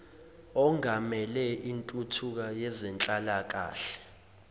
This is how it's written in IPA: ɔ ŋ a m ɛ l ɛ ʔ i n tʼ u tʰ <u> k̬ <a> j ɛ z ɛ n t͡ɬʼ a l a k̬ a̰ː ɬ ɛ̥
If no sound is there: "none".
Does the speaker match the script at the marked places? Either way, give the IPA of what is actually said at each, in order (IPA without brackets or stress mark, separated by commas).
u, a